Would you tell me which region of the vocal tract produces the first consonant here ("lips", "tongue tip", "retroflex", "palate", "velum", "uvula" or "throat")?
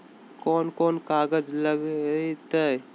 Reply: velum